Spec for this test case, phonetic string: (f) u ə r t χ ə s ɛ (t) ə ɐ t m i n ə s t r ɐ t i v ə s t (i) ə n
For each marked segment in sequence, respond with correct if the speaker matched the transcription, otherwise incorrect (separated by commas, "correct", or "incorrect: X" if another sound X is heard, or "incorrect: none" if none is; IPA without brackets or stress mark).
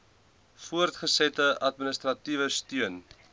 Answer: correct, correct, incorrect: y